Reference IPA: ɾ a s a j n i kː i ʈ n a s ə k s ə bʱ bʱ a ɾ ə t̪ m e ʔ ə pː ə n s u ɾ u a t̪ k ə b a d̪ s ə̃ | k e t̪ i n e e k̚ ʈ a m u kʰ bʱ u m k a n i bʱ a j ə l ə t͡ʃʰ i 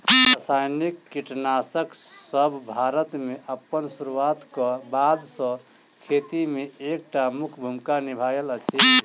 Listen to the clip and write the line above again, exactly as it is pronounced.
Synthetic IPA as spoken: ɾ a s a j n i kː i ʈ n a s ə k s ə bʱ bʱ a ɾ ə t̪ m e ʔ ə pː ə n s u ɾ u a t̪ k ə b a d̪ s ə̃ | kʰ e t̪ i m e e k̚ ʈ a m u kʰ bʱ u m k a n i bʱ a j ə l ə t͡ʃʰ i